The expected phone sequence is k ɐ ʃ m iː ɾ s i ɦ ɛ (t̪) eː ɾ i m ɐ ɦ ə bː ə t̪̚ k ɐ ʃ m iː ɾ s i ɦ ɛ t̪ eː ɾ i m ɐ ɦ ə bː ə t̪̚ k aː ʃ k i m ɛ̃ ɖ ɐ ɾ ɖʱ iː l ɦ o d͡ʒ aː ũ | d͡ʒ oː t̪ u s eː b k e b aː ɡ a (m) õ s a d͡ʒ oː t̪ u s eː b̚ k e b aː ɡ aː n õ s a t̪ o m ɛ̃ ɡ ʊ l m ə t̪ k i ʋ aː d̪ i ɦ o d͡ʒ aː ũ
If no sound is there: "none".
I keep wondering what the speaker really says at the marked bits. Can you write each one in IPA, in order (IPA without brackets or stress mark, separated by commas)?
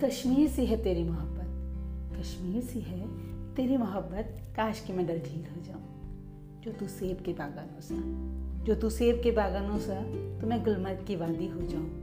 t̪, n